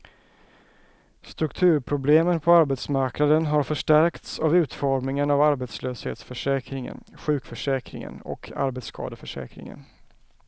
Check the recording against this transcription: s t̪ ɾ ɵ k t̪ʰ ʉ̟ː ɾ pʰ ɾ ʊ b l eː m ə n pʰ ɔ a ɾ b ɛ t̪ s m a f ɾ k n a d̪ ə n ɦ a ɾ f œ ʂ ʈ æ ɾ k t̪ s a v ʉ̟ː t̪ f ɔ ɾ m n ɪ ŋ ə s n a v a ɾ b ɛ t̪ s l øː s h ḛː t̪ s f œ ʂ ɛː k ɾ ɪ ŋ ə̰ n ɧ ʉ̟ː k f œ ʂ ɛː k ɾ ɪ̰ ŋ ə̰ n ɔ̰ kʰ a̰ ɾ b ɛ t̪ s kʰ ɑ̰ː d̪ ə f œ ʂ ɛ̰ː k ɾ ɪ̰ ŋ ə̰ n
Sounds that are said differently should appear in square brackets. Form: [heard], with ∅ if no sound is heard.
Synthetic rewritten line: s t̪ ɾ ɵ k t̪ʰ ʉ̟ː ɾ pʰ ɾ ʊ b l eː m ə n pʰ ɔ a ɾ b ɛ t̪ s m a [∅] ɾ k n a d̪ ə n ɦ a ɾ f œ ʂ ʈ æ ɾ k t̪ s a v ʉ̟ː t̪ f ɔ ɾ m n ɪ ŋ ə [∅] n a v a ɾ b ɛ t̪ s l øː s h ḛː t̪ s f œ ʂ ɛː k ɾ ɪ ŋ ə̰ n ɧ ʉ̟ː k f œ ʂ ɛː k ɾ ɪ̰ ŋ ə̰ n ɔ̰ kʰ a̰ ɾ b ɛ t̪ s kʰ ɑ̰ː d̪ ə f œ ʂ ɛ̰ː k ɾ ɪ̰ ŋ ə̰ n